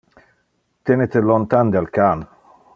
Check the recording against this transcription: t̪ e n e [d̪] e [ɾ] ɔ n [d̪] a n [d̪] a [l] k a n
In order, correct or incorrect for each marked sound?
incorrect: t̪, incorrect: l, incorrect: t̪, correct, correct

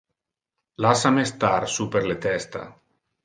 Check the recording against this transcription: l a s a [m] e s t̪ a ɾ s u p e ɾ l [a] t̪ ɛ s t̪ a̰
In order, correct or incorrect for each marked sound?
correct, incorrect: e

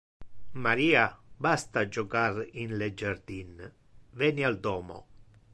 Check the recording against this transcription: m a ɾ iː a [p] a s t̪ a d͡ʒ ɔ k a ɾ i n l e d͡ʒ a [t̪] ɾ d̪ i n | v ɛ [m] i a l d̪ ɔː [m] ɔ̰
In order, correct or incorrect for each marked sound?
incorrect: b, incorrect: none, incorrect: n, correct

